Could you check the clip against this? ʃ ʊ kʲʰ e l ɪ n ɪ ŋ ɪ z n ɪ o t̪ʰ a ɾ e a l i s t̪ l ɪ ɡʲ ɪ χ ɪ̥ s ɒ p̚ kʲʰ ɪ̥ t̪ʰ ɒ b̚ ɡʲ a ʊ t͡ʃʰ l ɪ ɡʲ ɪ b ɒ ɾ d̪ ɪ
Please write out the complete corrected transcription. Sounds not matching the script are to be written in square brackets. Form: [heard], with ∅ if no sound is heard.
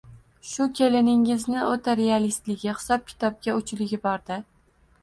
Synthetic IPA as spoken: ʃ ʊ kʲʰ e l ɪ n ɪ ŋ ɪ z n ɪ o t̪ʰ a ɾ e a l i s t̪ l ɪ ɡʲ ɪ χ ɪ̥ s ɒ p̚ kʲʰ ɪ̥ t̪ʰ ɒ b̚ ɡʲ a ʊ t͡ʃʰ l ɪ ɡʲ ɪ b ɒ ɾ d̪ ɪ